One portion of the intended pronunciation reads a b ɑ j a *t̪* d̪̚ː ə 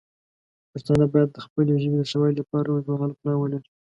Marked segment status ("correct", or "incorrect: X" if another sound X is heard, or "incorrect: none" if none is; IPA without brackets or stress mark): incorrect: none